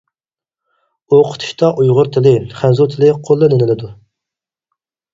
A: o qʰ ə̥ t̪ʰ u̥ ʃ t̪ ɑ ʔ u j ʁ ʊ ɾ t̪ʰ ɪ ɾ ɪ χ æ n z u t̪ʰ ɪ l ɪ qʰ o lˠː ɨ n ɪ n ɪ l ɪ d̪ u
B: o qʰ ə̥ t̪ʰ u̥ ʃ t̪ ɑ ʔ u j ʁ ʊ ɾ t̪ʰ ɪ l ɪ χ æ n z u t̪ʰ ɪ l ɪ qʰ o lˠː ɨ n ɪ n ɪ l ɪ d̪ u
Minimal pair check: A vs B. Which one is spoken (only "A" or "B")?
B